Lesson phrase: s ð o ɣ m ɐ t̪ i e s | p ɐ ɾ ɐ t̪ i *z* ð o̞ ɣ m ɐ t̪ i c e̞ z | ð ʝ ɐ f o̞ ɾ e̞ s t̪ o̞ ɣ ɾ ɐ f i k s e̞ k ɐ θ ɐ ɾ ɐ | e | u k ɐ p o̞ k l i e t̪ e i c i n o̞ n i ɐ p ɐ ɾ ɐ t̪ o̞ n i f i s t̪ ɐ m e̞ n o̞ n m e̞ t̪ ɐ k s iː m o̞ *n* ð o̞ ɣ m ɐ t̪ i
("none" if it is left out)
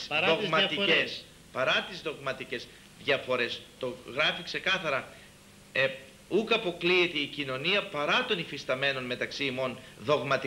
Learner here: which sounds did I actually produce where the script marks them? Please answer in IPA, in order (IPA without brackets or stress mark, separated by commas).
z, n